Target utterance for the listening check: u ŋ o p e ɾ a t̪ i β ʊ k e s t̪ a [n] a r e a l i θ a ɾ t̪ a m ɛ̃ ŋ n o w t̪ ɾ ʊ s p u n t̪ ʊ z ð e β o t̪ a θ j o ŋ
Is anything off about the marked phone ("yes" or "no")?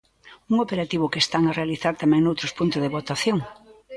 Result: yes